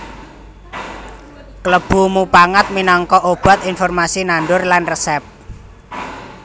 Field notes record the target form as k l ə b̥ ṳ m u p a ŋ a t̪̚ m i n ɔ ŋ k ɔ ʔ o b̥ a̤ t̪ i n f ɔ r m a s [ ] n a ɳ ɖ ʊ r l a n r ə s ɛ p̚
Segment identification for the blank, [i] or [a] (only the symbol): i